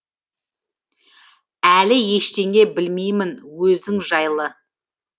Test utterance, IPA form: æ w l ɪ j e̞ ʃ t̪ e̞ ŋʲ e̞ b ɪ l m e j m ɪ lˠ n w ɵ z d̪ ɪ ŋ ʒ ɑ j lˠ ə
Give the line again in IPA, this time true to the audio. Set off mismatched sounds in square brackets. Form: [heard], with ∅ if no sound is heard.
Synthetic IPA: æ [∅] l ɪ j e̞ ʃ t̪ e̞ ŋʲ e̞ b ɪ l m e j m ɪ [∅] n w ɵ z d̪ ɪ ŋ ʒ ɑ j lˠ ə